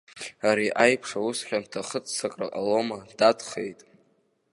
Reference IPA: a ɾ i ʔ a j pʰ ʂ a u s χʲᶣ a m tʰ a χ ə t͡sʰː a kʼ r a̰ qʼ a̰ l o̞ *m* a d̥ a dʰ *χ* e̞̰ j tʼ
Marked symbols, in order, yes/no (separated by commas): yes, yes